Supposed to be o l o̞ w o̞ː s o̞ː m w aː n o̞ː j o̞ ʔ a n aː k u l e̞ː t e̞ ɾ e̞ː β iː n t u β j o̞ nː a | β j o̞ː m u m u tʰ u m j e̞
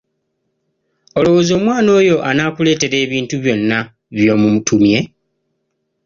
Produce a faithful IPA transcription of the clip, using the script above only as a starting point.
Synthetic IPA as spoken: o l o̞ w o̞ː z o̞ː m w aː n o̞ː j o̞ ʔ a n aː k u l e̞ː t e̞ ɾ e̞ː β iː n t u β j o̞ nː a | β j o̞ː m u m u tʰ u m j e̞

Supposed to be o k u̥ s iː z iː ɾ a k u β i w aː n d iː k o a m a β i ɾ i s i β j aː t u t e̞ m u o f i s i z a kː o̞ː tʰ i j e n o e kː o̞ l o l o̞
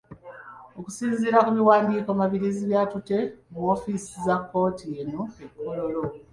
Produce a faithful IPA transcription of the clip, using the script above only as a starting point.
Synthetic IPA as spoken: o k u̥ s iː z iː ɾ a k u β i w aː n d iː k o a m a β i ɾ i z i β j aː t u t e̞ m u o f i s i z a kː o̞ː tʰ i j e n o e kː o̞ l o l o̞

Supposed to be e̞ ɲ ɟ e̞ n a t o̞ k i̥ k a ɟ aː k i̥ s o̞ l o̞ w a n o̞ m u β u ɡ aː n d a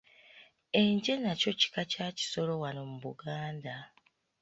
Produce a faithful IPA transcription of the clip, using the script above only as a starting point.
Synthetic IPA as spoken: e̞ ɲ ɟ e̞ n a c o̞ c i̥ k a c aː c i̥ s o̞ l o̞ w a n o̞ m u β u ɡ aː n d a

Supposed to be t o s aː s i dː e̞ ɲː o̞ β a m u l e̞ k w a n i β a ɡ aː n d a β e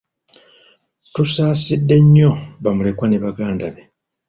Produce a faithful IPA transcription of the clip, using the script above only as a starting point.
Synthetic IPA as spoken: t u s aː s i dː e̞ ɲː o̞ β a m u l e̞ k w a n e β a ɡ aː n d a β e

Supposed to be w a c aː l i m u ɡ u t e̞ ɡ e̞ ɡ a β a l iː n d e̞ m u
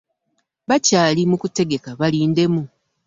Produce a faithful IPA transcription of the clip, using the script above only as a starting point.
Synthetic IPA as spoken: β a c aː l i m u k u t e̞ ɡ e̞ k a β a l iː n d e̞ m u

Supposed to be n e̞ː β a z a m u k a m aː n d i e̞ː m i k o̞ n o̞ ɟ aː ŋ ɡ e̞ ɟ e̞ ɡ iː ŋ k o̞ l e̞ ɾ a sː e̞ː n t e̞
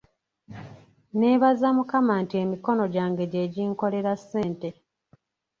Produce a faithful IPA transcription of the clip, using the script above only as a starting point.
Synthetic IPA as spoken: n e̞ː β a z a m u k a m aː n t i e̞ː m i k o̞ n o̞ ɟ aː ŋ ɡ e̞ ɟ e̞ ɟ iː ŋ k o̞ l e̞ ɾ a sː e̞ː n t e̞

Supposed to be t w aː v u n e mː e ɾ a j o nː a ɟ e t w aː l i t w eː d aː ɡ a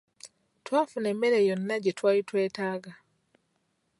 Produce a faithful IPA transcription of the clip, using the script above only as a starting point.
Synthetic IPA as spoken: t w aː f u n e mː e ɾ e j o nː a ɟ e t w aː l i t w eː t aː ɡ a

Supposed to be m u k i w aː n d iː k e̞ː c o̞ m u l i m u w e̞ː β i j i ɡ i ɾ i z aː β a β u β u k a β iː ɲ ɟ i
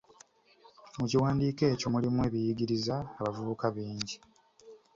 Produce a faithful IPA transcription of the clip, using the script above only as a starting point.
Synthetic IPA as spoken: m u c i w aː n d iː k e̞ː c o̞ m u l i m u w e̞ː β i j i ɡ i ɾ i z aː β a v u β u k a β iː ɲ ɟ i

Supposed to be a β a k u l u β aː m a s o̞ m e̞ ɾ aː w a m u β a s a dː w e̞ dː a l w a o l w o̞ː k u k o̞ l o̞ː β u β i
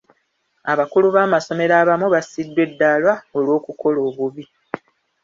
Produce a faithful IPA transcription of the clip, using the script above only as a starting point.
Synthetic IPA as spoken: a β a k u l u β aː m a s o̞ m e̞ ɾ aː β a m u β a s i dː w e̞ dː a l w a o l w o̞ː k u k o̞ l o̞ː β u β i

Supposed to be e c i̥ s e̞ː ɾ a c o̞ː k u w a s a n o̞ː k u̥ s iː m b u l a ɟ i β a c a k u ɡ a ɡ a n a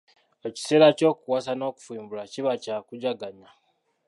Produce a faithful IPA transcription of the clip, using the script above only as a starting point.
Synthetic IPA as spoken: e c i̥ s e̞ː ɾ a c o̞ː k u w a s a n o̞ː k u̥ f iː m b u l a c i β a c a k u ɟ a ɡ a ɲ a

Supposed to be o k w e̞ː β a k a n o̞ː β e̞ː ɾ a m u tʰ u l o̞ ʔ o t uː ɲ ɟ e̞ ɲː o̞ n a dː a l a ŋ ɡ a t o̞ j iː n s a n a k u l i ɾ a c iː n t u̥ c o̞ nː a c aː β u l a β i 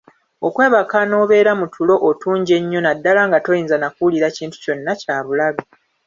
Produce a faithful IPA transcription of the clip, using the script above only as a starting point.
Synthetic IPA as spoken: o k w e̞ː β a k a n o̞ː β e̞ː ɾ a m u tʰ u l o̞ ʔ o t uː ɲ ɟ e̞ ɲː o̞ n a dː a l a ŋ ɡ a t o̞ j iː n z a n a k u l i ɾ a c iː n t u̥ c o̞ nː a c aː β u l a β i

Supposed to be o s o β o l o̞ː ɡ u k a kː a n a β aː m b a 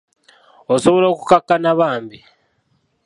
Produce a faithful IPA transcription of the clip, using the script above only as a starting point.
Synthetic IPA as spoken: o s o β o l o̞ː k u k a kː a n a β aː m b i

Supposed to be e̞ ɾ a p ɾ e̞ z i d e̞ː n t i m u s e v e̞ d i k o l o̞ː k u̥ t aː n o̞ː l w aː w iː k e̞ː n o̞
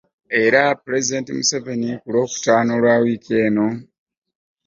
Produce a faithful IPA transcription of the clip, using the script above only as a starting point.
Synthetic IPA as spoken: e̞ ɾ a p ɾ e̞ z i d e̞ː n t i m u s e v e̞ n i k u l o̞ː k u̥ t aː n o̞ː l w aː w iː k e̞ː n o̞

